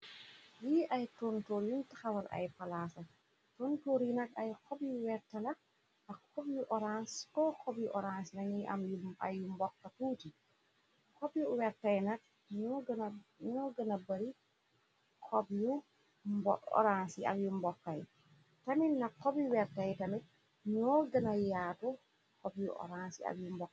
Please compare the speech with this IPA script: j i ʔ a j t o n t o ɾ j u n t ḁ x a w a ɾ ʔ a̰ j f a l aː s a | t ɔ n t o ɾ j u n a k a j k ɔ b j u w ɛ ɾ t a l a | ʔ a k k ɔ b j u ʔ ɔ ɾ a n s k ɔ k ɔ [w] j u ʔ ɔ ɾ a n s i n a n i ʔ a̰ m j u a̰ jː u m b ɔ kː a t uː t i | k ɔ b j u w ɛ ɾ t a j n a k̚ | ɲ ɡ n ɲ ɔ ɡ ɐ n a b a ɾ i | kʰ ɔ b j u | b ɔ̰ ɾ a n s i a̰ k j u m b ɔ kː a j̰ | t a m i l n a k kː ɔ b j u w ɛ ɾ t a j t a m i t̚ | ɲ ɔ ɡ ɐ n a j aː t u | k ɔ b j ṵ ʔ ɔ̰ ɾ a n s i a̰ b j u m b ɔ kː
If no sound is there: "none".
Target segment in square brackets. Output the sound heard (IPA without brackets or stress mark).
b